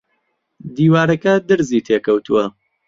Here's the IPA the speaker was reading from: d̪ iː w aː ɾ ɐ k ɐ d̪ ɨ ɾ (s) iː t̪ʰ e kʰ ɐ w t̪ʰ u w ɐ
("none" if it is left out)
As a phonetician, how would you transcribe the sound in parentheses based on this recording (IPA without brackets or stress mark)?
z